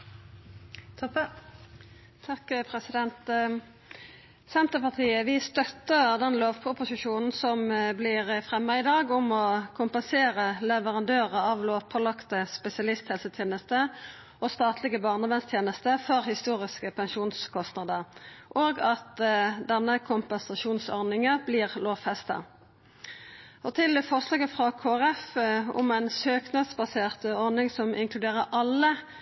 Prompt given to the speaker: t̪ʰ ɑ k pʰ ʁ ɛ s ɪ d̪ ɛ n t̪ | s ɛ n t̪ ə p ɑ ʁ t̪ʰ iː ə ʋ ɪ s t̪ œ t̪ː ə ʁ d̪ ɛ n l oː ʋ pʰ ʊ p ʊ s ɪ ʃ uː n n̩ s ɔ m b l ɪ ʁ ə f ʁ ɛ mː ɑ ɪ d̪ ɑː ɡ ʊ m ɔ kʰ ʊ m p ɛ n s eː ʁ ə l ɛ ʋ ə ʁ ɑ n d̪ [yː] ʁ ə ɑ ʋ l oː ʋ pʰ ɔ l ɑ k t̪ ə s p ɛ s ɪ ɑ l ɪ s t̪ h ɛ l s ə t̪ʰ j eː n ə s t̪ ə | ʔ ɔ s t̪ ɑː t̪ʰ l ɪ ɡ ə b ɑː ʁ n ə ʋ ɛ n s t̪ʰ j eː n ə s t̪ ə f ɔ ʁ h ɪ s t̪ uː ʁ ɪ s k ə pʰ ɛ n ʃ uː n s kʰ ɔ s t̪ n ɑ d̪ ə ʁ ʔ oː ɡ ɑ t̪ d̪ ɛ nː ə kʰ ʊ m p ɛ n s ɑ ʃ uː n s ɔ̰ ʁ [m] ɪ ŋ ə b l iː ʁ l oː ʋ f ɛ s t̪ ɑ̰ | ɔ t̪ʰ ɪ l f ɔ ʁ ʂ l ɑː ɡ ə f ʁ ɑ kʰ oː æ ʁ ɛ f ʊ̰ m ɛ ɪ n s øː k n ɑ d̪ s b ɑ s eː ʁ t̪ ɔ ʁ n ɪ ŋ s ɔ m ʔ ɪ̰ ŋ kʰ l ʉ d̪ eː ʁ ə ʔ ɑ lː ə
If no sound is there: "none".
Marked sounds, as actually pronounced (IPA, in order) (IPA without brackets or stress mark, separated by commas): øː, n